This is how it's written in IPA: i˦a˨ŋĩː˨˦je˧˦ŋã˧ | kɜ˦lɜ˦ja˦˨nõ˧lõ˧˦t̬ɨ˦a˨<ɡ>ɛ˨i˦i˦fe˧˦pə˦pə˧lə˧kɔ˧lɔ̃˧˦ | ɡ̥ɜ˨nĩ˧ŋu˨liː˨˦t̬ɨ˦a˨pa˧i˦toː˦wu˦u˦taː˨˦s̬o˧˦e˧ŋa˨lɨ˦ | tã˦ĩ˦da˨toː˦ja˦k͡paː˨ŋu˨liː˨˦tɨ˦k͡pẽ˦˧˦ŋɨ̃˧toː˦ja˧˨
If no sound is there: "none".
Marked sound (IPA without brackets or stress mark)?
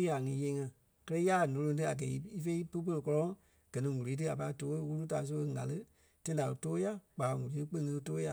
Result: ɡ